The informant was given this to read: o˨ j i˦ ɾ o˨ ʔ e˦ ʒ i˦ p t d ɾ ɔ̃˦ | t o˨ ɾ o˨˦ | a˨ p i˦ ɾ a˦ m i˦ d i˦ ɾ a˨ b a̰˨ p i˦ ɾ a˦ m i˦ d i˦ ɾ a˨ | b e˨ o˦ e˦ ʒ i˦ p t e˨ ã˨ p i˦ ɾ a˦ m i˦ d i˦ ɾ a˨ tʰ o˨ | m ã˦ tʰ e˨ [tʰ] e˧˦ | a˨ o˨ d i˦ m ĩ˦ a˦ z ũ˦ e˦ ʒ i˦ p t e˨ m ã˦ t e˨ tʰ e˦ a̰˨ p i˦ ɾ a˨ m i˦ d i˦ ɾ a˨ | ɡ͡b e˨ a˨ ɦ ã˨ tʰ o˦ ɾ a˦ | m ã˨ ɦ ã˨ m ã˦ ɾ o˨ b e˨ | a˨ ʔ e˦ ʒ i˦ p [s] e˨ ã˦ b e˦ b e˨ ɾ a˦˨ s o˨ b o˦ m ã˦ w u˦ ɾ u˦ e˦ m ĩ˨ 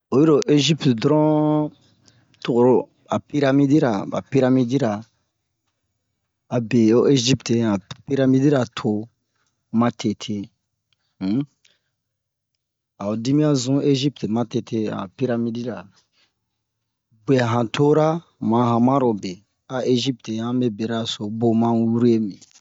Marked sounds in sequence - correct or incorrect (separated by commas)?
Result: correct, incorrect